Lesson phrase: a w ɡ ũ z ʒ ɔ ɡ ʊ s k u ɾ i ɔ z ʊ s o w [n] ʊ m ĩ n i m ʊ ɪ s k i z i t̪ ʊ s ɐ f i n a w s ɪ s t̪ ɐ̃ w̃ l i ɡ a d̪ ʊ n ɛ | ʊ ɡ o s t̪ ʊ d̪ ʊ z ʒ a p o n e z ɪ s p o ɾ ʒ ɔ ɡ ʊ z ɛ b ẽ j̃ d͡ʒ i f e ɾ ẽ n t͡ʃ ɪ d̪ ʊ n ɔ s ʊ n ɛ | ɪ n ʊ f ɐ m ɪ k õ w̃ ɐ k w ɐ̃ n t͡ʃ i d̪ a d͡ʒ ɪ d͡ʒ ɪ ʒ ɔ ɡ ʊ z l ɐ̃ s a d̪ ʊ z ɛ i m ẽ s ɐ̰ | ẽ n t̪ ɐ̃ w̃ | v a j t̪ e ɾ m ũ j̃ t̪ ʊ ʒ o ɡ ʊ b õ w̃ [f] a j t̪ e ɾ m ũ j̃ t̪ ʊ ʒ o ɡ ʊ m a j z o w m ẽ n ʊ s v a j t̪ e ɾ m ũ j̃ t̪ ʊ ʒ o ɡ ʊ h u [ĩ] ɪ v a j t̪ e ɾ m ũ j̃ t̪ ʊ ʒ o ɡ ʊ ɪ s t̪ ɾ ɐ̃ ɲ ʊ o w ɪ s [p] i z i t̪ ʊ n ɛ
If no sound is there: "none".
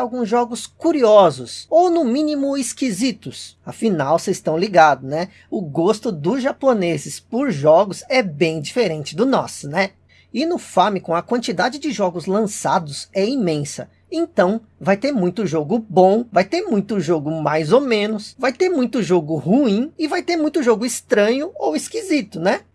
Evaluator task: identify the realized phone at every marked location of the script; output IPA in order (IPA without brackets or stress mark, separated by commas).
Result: n, v, ĩ, k